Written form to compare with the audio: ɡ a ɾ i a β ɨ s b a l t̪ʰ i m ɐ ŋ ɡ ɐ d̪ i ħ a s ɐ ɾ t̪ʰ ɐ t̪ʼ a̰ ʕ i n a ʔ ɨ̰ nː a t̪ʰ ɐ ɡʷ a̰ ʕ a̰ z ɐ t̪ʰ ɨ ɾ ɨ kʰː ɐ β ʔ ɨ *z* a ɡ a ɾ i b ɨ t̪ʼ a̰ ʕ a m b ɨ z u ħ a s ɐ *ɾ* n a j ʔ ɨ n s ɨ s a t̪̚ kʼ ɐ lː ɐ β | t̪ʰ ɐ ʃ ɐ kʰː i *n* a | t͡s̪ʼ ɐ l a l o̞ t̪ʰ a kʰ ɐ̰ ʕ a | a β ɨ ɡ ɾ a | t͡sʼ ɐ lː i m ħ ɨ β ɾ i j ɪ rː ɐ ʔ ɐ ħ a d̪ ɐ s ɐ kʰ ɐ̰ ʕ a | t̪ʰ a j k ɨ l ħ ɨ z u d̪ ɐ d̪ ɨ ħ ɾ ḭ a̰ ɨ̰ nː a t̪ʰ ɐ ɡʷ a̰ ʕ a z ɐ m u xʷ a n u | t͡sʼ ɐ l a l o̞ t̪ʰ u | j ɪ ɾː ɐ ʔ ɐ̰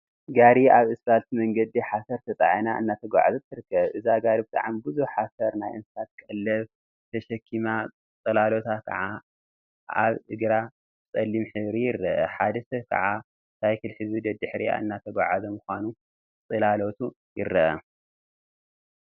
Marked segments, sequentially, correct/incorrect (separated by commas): correct, correct, incorrect